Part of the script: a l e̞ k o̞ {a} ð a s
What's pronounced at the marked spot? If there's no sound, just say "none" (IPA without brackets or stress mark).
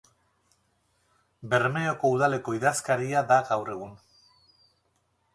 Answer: i